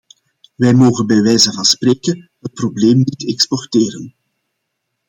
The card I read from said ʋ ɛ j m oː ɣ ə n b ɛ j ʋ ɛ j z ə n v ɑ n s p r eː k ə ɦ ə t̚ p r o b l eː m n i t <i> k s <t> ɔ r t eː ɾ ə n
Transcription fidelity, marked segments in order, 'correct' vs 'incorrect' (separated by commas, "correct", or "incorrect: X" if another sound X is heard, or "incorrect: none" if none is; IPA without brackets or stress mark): incorrect: ɛ, incorrect: p